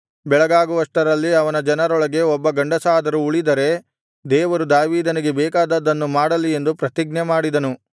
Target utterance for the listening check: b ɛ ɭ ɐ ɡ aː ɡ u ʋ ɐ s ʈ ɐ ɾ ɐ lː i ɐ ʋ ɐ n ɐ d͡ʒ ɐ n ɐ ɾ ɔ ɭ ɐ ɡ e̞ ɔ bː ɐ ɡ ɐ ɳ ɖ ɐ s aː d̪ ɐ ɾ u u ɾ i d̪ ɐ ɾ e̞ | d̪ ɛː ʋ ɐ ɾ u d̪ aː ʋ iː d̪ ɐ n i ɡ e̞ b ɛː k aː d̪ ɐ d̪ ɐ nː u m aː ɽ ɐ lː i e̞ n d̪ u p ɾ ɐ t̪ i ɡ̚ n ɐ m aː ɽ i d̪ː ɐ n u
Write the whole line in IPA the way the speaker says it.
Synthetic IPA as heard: b ɛ ɭ ɐ ɡ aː ɡ u ʋ ɐ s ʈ ɐ ɾ ɐ lː i ɐ ʋ ɐ n ɐ d͡ʒ ɐ n ɐ ɾ ɔ ɭ ɐ ɡ e̞ ɔ bː ɐ ɡ ɐ ɳ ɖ ɐ s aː d̪ ɐ ɾ u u ɭ i d̪ ɐ ɾ e̞ | d̪ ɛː ʋ ɐ ɾ u d̪ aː ʋ iː d̪ ɐ n i ɡ e̞ b ɛː k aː d̪ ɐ d̪ ɐ nː u m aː ɽ ɐ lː i e̞ n d̪ u p ɾ ɐ t̪ i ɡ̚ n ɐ m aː ɽ i d̪ ɐ n u